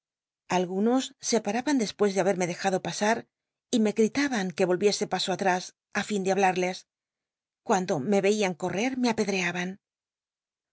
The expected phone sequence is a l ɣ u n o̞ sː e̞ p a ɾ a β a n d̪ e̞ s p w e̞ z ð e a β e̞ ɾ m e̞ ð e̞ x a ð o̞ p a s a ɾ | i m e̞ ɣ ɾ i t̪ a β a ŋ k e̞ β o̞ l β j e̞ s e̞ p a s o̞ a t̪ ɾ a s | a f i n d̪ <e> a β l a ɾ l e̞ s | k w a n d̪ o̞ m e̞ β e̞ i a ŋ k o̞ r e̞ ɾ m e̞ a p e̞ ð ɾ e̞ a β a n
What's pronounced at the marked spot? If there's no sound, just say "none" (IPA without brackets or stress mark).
e